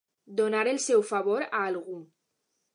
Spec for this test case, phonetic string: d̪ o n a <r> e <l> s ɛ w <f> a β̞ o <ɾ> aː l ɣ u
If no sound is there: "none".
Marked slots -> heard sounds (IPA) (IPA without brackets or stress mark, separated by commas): ɾ, l, f, ɾ